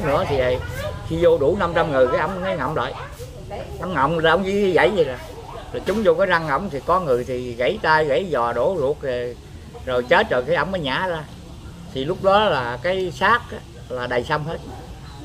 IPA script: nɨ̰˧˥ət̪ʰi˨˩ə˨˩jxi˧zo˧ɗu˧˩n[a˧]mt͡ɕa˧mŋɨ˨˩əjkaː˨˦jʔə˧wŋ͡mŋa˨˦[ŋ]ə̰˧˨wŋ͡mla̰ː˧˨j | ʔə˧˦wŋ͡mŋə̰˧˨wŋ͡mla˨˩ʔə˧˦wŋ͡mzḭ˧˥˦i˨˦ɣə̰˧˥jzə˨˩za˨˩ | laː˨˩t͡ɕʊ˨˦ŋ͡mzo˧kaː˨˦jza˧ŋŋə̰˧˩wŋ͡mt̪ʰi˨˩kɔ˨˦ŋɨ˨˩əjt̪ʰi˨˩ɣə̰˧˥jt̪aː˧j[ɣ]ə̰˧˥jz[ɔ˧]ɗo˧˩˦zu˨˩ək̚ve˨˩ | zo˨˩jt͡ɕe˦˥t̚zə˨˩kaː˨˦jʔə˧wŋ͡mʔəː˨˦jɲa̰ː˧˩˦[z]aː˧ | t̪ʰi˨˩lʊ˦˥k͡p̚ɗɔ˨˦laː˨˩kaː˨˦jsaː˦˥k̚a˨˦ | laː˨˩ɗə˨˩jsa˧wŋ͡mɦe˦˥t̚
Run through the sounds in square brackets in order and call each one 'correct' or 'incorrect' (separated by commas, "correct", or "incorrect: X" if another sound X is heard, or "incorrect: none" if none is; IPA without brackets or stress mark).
correct, correct, correct, incorrect: ɔ˨˩, correct